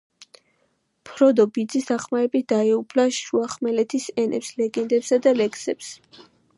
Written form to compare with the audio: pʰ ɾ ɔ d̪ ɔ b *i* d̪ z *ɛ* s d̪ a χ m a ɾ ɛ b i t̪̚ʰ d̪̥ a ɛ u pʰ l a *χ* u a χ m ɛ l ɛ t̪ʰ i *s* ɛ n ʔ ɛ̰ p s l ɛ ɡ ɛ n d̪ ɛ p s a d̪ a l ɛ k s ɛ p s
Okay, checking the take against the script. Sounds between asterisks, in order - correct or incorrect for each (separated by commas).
correct, incorrect, incorrect, correct